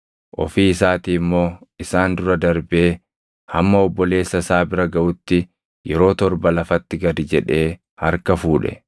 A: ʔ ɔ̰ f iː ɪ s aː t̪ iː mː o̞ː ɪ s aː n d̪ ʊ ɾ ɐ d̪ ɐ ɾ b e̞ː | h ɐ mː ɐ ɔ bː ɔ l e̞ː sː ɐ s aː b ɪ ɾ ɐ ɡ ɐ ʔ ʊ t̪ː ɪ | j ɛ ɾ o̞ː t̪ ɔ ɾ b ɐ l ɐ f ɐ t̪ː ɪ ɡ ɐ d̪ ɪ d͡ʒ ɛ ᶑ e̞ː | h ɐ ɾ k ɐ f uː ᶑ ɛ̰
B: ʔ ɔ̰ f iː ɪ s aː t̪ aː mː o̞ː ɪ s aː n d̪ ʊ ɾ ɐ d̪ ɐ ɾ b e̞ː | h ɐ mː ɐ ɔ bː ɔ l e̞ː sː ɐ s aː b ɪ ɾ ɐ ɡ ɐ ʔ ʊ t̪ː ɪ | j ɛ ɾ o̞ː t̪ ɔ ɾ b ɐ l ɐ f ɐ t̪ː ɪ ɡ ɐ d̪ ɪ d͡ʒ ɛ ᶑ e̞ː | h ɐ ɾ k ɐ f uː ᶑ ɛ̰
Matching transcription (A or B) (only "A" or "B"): A